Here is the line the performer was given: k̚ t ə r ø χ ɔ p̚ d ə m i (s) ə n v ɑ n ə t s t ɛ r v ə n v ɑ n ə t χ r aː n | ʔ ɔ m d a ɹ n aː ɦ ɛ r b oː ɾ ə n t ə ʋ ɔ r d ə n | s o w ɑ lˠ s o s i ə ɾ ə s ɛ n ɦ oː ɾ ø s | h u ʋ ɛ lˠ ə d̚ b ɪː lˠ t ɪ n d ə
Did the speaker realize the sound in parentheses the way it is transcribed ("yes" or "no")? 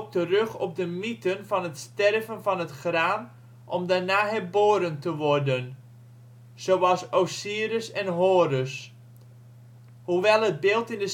no